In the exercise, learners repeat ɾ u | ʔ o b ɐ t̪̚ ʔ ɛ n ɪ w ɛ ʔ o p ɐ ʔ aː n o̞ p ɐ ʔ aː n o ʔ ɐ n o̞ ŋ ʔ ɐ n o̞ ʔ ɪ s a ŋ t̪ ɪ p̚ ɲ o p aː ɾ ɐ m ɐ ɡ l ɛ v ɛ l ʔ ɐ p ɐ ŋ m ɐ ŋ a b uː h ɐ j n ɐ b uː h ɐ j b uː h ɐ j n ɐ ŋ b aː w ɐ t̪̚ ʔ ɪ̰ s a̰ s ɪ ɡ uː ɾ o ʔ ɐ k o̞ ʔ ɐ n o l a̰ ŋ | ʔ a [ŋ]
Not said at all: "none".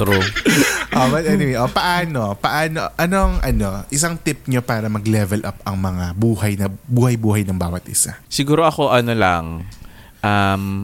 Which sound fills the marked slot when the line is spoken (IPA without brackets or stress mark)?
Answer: m